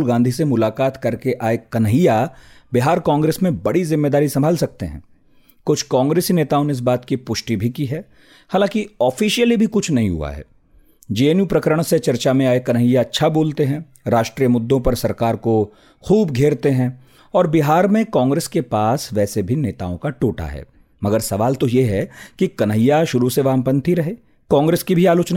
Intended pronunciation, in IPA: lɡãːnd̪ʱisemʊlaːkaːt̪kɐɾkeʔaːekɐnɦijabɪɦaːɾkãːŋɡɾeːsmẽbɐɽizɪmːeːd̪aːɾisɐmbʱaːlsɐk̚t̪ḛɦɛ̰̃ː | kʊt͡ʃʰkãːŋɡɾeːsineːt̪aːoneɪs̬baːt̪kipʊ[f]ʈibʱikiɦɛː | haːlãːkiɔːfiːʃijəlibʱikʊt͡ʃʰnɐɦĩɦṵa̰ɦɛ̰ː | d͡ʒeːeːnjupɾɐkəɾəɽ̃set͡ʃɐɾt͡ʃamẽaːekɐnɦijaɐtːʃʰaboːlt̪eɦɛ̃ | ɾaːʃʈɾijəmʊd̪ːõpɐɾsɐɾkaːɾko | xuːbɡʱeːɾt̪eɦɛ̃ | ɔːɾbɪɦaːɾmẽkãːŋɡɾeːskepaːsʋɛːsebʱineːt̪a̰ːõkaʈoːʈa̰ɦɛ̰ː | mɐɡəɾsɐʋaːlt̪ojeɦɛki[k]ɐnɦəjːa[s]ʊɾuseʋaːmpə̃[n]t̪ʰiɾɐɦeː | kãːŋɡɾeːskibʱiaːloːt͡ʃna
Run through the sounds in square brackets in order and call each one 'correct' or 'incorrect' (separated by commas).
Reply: incorrect, correct, incorrect, correct